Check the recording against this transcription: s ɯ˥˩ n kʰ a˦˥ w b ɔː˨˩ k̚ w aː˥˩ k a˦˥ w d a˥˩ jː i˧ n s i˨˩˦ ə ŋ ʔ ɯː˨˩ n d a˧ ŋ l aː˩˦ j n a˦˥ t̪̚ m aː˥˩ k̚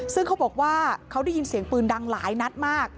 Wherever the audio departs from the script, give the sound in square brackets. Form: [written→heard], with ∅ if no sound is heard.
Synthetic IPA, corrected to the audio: s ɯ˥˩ [n→ŋ] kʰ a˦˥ w b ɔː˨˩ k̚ w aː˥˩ [k→kʰ] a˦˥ w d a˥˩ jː i˧ n s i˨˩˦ ə ŋ [ʔ→p] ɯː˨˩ n d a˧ ŋ l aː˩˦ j n a˦˥ t̪̚ m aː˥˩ k̚

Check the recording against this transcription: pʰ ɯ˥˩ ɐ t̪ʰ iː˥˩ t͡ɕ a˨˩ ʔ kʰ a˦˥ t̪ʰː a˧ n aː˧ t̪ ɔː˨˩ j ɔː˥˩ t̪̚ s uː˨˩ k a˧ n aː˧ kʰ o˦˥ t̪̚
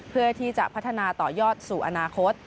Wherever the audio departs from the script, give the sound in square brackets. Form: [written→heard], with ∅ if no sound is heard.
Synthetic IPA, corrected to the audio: pʰ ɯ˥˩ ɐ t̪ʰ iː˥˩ t͡ɕ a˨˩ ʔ [kʰ→pʰ] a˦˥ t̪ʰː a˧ n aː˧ t̪ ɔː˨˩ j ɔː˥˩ t̪̚ s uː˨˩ [k→ʔ] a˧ n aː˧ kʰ o˦˥ t̪̚

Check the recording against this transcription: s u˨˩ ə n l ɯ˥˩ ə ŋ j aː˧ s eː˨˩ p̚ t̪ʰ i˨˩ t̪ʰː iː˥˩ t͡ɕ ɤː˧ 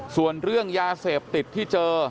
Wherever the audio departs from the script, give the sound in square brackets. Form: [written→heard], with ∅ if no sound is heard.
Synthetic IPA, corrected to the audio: s u˨˩ ə n [l→ɾ] ɯ˥˩ ə ŋ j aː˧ s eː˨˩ p̚ [t̪ʰ→t̪] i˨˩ t̪ʰː iː˥˩ t͡ɕ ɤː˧

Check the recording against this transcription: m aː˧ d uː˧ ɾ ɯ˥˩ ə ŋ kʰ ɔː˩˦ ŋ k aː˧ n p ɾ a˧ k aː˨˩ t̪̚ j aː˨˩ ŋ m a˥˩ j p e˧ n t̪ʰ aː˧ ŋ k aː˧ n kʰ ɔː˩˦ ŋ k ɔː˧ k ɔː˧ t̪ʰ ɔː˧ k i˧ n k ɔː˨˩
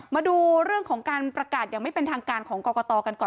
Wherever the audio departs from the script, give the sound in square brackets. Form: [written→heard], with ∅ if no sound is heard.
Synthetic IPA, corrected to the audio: m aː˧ d uː˧ ɾ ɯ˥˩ ə ŋ kʰ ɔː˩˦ ŋ k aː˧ n p ɾ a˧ k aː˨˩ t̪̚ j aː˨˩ ŋ m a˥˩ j p e˧ n t̪ʰ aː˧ ŋ k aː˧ n kʰ ɔː˩˦ ŋ k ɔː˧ k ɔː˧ [t̪ʰ→t̪] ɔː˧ k [i˧→a˧] n k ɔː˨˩

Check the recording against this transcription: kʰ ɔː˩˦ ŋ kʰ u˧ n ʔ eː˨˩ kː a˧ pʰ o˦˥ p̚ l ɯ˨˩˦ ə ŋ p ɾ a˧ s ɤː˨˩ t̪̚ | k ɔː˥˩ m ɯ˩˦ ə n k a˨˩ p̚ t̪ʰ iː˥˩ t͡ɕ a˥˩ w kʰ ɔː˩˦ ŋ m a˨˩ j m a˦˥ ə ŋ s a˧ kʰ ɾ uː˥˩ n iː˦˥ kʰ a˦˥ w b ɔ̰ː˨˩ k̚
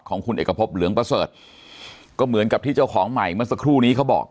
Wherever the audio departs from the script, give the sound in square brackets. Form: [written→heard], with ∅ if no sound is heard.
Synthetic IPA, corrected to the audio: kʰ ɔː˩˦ ŋ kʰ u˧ n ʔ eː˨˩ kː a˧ pʰ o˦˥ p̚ l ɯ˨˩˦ ə ŋ p ɾ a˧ s ɤː˨˩ t̪̚ | k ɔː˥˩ m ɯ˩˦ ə n k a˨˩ p̚ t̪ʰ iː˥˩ t͡ɕ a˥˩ w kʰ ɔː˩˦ ŋ m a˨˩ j m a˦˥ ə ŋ s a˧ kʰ ɾ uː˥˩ n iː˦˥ kʰ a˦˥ w b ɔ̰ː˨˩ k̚

